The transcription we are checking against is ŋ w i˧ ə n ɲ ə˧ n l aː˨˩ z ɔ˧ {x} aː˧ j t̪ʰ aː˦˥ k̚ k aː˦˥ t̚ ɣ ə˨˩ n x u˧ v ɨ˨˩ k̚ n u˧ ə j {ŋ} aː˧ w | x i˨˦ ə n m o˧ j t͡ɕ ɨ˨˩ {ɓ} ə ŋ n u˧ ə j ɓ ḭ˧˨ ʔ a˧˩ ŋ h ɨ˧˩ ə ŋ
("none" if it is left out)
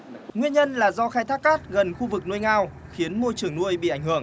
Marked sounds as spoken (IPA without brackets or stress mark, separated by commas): x, ŋ, none